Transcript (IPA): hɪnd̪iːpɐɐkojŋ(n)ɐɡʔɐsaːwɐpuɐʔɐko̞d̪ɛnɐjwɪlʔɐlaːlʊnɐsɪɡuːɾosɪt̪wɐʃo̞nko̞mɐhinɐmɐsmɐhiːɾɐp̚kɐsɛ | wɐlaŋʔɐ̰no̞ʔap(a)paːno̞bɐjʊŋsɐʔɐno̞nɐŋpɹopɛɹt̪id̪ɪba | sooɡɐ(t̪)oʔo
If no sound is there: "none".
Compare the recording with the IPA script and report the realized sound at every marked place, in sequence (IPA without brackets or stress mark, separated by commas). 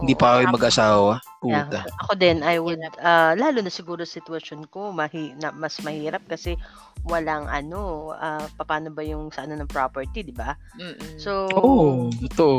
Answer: m, ɐ, t̪